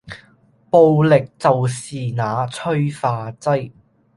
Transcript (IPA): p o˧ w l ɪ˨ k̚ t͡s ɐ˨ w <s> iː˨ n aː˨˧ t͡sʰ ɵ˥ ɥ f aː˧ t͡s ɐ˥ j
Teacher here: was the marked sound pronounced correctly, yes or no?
yes